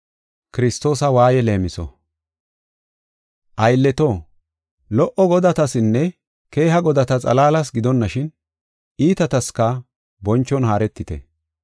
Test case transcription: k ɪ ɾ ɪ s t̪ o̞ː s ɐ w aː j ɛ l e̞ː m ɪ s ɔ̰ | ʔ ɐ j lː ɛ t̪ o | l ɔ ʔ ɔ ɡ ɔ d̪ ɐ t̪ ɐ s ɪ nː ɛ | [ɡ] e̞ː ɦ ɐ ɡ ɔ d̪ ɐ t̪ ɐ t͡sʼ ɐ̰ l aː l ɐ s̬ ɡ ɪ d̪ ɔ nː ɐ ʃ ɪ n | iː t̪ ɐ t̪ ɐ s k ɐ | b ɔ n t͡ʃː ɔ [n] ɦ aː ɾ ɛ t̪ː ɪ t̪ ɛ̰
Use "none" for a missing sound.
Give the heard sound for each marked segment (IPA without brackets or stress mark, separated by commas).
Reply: k, n